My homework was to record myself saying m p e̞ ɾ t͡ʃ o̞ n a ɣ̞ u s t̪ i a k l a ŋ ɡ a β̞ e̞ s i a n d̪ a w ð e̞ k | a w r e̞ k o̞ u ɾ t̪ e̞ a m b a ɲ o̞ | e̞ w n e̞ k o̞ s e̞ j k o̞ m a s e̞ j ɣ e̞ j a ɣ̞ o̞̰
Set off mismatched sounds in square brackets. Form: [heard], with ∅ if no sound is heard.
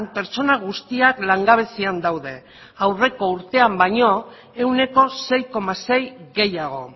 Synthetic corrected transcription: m p e̞ ɾ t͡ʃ o̞ n a ɣ̞ u s t̪ i a k l a ŋ ɡ a β̞ e̞ s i a n d̪ a w ð e̞ [∅] | a w r e̞ k o̞ u ɾ t̪ e̞ a m b a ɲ o̞ | e̞ w n e̞ k o̞ s e̞ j k o̞ m a s e̞ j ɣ e̞ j a ɣ̞ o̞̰